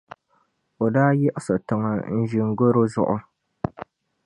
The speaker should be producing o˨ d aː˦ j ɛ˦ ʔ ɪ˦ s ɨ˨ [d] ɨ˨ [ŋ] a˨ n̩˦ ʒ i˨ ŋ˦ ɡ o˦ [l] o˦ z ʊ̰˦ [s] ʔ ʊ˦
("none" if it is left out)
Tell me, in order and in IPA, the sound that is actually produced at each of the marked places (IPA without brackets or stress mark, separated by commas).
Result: t, ŋ, ɾ, none